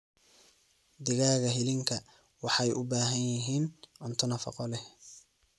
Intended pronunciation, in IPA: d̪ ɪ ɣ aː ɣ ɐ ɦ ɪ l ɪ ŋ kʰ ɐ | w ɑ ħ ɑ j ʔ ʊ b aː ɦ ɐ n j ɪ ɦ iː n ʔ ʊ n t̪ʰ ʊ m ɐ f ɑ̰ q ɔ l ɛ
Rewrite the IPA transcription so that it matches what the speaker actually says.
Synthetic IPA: d̪ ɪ ɣ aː ɣ ɐ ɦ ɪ l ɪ ŋ kʰ ɐ | w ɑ ħ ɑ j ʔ ʊ b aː ɦ ɐ n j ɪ ɦ iː n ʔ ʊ n t̪ʰ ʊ n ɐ f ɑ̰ q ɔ l ɛ